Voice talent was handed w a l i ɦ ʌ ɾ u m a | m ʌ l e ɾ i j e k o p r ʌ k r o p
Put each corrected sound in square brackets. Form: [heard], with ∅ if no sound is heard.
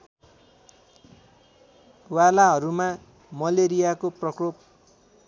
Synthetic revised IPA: w a l [a] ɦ ʌ ɾ u m a | m ʌ l e ɾ i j [a] k o p r ʌ k r o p